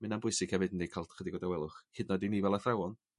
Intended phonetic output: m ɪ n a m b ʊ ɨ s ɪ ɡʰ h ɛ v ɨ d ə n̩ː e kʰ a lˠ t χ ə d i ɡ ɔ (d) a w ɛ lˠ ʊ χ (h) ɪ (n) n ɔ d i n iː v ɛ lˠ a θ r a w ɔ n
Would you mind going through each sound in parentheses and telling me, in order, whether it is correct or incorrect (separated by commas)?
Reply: correct, correct, incorrect